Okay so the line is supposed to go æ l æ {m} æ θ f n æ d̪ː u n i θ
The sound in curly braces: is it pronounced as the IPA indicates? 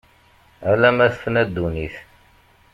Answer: yes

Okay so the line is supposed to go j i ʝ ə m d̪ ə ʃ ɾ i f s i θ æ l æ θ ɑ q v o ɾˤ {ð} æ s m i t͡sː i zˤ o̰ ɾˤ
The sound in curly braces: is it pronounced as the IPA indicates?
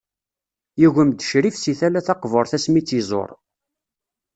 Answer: no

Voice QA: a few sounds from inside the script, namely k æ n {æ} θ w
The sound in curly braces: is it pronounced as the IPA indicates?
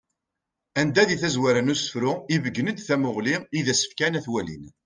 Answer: yes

